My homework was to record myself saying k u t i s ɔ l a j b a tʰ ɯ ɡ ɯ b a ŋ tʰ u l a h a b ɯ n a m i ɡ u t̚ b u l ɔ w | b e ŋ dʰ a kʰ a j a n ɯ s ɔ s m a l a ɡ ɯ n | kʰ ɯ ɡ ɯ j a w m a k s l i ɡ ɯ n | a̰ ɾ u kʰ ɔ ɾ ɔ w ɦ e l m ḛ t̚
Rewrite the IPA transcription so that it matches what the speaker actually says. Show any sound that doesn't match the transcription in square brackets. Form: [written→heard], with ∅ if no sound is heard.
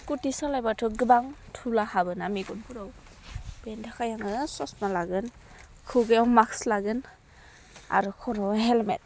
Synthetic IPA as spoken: k u t i s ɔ l a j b a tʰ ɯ ɡ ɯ b a ŋ tʰ u l a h a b ɯ n a m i ɡ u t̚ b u [l→ɾ] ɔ w | b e [ŋ→n] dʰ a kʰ a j a [n→ŋ] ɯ s ɔ s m a l a ɡ ɯ n | kʰ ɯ ɡ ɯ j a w m a k s l [i→a] ɡ ɯ n | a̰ ɾ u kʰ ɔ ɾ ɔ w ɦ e l m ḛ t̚

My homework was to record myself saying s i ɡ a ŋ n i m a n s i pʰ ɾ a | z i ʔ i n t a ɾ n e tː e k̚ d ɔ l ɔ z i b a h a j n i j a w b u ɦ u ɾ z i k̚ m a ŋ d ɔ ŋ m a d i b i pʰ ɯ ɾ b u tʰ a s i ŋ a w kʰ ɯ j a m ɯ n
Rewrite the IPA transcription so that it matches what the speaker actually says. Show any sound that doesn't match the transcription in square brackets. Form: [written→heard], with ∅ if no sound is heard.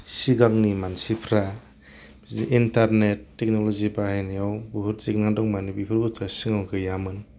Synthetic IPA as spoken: s i ɡ a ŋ n i m a n s i pʰ ɾ a | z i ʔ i n t a ɾ n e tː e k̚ [d→n] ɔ l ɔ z i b a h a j n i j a w b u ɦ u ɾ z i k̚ [m→n] a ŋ d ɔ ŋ m a [d→n] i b i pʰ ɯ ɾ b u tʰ a s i ŋ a w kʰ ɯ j a m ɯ n

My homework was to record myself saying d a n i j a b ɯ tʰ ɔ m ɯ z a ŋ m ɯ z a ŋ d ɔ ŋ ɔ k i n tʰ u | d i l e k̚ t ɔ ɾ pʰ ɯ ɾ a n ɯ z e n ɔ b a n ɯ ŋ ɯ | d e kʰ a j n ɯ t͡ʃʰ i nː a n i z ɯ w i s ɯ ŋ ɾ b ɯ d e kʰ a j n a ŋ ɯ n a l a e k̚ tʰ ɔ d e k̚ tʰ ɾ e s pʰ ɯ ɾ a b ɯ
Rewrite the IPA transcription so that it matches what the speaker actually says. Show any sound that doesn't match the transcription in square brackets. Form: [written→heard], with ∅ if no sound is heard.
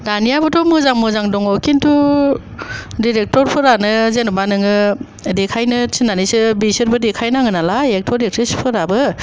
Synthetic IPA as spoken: d a n i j a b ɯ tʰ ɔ m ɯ z a ŋ m ɯ z a ŋ d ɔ ŋ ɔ k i n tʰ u | d i [l→ɾ] e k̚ t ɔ ɾ pʰ ɯ ɾ a n ɯ z e n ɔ b a n ɯ ŋ ɯ | d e kʰ a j n ɯ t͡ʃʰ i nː a n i [z→s] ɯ [w→b] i s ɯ [ŋ→∅] ɾ b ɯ d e kʰ a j n a ŋ ɯ n a l a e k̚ tʰ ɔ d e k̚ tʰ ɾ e s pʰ ɯ ɾ a b ɯ

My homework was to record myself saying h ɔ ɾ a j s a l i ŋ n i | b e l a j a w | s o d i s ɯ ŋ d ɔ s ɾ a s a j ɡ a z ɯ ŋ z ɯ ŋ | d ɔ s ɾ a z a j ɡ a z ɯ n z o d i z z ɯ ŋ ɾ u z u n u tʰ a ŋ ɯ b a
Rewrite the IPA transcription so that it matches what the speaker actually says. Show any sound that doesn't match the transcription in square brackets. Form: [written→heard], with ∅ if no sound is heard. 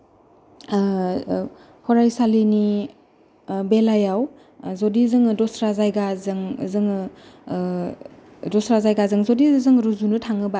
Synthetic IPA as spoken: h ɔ ɾ a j s a l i [ŋ→∅] n i | b e l a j a w | [s→z] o d i [s→z] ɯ ŋ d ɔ s ɾ a [s→z] a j ɡ a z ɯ ŋ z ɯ ŋ | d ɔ s ɾ a z a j ɡ a z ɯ [n→ŋ] z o d i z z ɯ ŋ ɾ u z u n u tʰ a ŋ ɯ b a

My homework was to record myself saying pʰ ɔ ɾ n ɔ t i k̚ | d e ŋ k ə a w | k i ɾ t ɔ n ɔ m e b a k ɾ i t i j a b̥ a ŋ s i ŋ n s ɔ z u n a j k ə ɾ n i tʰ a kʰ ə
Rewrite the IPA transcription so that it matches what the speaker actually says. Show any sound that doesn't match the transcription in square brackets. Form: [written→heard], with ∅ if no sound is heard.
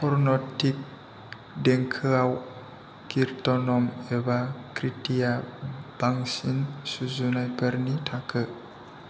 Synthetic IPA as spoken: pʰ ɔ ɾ n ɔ t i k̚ | d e ŋ [k→kʰ] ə a w | k i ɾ t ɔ n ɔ m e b a k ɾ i t i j a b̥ a ŋ s i [ŋ→∅] n s [ɔ→u] z u n a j [k→p] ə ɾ n i tʰ a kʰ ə

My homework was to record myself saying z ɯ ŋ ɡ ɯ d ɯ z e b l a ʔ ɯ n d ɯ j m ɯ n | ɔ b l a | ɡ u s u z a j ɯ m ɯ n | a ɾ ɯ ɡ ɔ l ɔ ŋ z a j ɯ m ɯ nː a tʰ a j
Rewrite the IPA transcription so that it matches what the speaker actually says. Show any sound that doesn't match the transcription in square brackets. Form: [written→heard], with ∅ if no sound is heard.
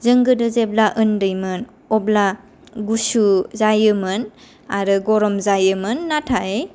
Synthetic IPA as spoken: z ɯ ŋ ɡ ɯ d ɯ z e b l a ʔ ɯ n d ɯ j m ɯ n | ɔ b l a | ɡ u s u z a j ɯ m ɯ n | a ɾ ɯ ɡ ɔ [l→ɾ] ɔ [ŋ→m] z a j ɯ m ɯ nː a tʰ a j

